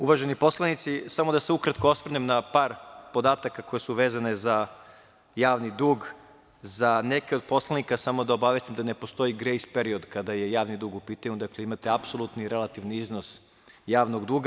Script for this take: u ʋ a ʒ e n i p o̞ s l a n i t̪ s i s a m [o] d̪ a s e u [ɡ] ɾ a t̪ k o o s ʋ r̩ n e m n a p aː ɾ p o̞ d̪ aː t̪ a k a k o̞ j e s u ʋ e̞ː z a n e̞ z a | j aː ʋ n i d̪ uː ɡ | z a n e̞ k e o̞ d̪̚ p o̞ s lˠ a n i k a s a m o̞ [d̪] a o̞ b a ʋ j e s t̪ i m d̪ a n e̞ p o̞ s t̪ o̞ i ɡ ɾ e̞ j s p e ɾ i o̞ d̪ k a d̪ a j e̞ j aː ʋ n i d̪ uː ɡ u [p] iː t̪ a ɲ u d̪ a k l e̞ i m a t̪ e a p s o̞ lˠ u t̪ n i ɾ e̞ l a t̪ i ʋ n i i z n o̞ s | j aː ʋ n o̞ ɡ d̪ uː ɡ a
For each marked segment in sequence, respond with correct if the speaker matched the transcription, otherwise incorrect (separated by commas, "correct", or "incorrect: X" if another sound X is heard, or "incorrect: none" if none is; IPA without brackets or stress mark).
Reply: correct, incorrect: k, correct, correct